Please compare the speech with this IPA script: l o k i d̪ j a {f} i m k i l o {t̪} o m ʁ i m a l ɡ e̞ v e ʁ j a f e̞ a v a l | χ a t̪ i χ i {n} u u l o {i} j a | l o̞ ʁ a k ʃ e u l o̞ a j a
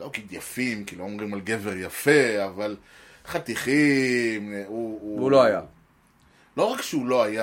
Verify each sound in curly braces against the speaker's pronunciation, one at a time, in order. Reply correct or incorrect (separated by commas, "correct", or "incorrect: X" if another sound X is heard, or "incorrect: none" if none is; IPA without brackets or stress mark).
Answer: correct, incorrect: none, incorrect: m, incorrect: a